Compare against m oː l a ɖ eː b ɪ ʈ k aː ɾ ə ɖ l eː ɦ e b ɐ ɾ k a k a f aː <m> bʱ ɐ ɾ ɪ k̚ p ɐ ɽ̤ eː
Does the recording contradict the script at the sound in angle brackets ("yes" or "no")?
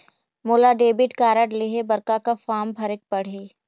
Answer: no